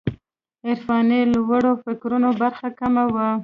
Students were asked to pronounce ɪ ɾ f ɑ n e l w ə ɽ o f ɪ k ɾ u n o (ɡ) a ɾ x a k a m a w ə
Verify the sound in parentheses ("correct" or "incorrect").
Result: incorrect